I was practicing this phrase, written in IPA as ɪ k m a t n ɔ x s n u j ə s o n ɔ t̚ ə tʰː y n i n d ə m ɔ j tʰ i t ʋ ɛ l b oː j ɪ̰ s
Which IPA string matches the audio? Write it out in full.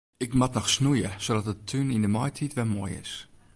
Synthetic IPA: ɪ k m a t n ɔ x s n u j ə s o d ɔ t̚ ə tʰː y n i n d ə m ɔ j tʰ i t ʋ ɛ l m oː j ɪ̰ s